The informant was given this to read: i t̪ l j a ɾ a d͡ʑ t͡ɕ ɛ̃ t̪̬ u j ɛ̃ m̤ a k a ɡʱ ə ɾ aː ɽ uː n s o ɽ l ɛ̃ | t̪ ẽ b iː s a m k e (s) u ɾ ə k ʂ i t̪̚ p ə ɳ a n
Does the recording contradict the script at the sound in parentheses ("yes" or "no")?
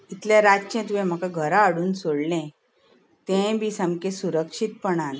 no